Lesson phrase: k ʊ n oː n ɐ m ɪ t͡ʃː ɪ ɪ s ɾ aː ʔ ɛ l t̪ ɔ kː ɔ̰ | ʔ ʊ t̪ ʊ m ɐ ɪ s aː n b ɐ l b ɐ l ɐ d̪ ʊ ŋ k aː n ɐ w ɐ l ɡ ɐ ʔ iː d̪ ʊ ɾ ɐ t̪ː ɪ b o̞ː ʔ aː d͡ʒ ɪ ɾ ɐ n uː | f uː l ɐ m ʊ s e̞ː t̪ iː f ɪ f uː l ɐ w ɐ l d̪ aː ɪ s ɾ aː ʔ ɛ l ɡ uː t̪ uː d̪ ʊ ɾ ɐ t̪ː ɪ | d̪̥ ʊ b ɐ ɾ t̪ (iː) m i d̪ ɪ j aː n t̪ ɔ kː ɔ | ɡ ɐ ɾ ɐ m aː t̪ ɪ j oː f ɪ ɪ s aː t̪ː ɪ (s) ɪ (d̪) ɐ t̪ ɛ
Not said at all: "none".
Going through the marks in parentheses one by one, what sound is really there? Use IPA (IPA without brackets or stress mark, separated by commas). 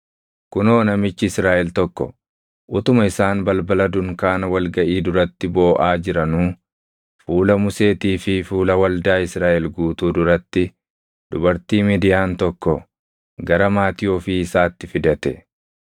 iː, f, d̪